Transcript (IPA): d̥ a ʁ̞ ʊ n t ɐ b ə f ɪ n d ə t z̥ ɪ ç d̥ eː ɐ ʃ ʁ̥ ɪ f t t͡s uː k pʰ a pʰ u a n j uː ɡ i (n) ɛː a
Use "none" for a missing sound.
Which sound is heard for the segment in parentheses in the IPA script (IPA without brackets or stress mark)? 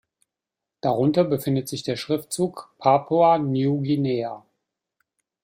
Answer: n